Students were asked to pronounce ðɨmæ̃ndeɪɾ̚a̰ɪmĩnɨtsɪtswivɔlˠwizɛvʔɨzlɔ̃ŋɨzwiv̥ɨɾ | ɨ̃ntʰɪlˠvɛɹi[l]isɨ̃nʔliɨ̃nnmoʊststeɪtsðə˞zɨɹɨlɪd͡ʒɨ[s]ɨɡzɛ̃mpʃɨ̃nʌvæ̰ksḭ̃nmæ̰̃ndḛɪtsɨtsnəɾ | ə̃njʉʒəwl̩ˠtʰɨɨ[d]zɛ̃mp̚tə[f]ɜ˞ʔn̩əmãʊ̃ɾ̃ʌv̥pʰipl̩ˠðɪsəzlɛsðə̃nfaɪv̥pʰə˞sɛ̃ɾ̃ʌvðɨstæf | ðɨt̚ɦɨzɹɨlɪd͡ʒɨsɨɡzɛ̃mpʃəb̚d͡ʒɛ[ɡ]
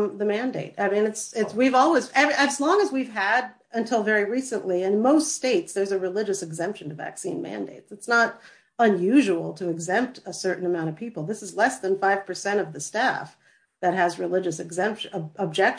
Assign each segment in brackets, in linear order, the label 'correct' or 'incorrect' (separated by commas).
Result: incorrect, correct, incorrect, incorrect, incorrect